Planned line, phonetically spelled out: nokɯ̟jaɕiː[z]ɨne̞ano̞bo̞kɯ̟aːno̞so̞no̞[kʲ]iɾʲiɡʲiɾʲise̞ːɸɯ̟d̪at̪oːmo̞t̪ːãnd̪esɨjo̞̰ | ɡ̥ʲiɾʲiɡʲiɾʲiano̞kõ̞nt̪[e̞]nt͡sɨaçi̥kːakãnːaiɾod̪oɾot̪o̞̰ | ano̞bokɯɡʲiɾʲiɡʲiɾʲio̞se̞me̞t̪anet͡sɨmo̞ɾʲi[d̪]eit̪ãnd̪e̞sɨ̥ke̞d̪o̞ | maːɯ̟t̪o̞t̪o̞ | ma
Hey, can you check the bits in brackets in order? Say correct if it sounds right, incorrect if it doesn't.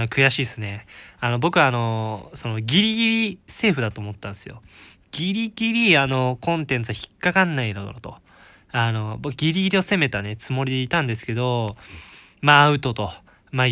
incorrect: s, incorrect: ɡʲ, incorrect: ẽ̞, correct

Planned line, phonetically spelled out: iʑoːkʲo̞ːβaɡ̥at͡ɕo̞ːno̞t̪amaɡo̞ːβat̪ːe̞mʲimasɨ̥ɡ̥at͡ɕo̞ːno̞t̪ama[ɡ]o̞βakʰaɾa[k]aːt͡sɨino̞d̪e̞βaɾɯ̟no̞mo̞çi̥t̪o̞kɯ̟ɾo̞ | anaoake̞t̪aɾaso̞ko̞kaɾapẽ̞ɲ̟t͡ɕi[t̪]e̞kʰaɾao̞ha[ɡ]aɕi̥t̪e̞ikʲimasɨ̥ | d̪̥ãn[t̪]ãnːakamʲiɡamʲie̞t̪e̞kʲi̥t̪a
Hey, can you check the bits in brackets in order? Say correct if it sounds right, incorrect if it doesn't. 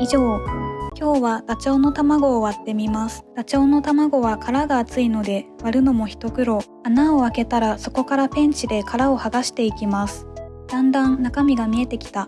correct, incorrect: ɡ, incorrect: d̪, correct, incorrect: d̪

